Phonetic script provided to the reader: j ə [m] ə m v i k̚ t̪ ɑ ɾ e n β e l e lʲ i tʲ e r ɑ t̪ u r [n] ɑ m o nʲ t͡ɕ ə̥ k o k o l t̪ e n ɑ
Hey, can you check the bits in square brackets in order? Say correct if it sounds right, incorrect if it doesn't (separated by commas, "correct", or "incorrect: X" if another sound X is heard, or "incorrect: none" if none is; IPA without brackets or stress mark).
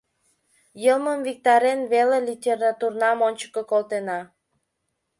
correct, correct